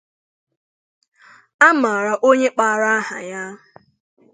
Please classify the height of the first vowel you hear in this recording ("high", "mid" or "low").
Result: low